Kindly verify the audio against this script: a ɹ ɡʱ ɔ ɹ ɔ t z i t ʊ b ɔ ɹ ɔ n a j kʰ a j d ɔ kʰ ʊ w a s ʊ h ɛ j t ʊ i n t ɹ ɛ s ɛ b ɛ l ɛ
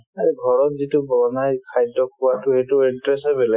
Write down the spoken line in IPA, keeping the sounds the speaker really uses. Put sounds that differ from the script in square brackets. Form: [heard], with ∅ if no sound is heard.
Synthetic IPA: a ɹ ɡʱ ɔ ɹ ɔ t z i t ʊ b ɔ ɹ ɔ n a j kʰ a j d ɔ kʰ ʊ w a [t] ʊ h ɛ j t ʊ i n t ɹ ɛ s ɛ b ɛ l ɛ